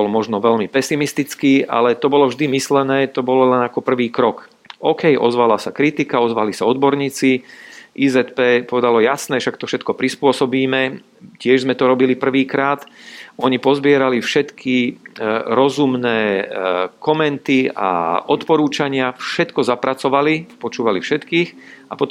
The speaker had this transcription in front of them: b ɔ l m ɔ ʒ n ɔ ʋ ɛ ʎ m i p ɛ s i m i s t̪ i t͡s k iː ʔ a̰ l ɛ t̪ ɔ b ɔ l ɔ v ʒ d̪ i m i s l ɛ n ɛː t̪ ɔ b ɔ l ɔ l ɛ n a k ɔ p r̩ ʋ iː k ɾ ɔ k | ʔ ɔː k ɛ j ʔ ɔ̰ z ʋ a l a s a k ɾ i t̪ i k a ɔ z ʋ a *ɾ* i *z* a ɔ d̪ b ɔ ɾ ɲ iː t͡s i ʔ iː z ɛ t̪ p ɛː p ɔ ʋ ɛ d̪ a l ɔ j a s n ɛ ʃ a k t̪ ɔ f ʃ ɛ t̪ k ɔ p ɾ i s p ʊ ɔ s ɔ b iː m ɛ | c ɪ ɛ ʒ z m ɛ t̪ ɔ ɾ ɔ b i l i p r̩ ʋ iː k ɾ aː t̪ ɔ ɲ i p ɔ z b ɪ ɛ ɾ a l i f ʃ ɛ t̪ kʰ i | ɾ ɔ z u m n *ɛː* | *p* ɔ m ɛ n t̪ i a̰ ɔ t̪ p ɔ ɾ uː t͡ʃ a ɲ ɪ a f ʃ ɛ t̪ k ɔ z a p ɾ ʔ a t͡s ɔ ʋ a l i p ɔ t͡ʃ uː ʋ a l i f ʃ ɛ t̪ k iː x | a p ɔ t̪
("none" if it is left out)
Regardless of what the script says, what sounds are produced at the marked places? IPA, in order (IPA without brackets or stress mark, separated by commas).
l, s, ɛː, k